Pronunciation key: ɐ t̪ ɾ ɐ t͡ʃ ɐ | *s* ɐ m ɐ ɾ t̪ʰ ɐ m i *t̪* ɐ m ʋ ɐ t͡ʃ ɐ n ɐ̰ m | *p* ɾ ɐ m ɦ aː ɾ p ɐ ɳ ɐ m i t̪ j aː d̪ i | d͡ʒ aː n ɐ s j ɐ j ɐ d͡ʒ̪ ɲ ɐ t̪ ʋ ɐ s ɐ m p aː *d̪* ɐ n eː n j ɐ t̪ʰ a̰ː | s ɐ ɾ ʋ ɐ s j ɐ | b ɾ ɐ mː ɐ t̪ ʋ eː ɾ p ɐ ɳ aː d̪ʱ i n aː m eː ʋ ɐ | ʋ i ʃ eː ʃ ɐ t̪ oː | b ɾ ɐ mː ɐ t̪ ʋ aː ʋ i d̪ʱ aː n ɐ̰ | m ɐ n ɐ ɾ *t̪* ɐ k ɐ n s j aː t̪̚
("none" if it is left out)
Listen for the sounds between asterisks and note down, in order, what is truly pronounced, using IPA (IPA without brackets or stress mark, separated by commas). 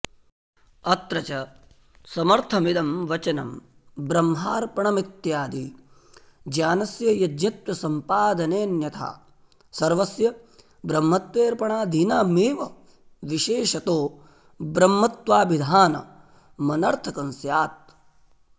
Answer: s, d̪, b, d̪, t̪ʰ